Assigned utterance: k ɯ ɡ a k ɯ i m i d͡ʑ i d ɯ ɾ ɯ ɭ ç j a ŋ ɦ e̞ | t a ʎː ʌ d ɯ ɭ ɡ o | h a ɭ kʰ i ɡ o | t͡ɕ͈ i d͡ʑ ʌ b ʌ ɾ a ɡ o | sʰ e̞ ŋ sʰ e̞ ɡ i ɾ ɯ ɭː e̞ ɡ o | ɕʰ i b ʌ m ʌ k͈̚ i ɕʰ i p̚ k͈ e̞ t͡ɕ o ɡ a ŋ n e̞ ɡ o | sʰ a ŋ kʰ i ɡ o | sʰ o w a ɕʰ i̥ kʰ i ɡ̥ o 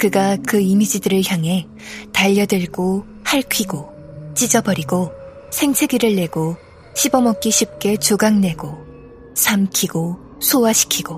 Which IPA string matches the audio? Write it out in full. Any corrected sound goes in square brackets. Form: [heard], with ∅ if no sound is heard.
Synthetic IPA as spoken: k ɯ ɡ a k ɯ i m i d͡ʑ i d ɯ ɾ ɯ ɭ ç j a ŋ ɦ e̞ | t a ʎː ʌ d ɯ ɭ ɡ o | h a ɭ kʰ i ɡ o | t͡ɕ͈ i d͡ʑ ʌ b ʌ ɾ [i] ɡ o | sʰ e̞ ŋ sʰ e̞ ɡ i ɾ ɯ ɭː e̞ ɡ o | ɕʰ i b ʌ m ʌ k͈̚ i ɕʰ i p̚ k͈ e̞ t͡ɕ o ɡ a ŋ n e̞ ɡ o | sʰ a [m] kʰ i ɡ o | sʰ o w a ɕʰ i̥ kʰ i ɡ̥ o